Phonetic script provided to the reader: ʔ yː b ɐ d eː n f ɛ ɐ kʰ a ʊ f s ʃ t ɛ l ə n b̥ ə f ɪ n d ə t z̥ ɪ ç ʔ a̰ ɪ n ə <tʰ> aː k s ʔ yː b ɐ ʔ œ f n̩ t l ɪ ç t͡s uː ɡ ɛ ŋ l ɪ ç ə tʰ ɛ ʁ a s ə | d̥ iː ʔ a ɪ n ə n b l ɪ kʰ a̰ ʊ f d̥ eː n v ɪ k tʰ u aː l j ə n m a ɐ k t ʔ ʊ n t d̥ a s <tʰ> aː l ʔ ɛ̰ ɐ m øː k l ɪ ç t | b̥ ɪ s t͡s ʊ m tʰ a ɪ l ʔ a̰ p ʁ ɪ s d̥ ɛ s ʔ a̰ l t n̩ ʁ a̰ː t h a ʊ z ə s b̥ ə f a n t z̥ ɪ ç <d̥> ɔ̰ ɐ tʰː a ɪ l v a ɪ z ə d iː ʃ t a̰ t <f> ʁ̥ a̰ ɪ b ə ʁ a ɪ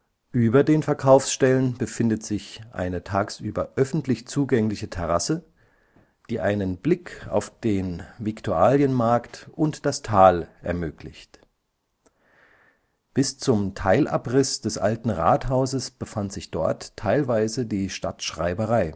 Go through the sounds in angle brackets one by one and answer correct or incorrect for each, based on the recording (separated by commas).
correct, correct, correct, incorrect